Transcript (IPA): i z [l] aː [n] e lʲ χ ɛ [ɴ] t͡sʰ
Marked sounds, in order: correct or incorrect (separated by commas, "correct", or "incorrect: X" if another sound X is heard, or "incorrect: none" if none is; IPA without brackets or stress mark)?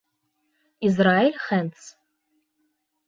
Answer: incorrect: r, incorrect: none, incorrect: n